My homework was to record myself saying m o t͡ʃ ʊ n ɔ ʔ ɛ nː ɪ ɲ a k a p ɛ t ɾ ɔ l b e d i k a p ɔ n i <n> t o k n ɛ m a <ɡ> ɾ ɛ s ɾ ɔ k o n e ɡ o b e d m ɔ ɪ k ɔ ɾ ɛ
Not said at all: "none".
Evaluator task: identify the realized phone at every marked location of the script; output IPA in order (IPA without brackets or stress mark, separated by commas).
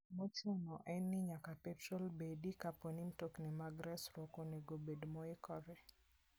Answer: m, ɡ